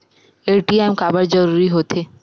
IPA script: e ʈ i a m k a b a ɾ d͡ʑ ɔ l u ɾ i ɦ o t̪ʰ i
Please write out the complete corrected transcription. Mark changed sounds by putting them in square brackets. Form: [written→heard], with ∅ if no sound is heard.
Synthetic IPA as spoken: e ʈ i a m k a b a ɾ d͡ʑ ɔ [l→ɾ] u ɾ i ɦ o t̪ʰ [i→e]